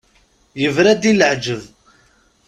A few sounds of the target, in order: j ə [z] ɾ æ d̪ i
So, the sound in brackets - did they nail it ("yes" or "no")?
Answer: no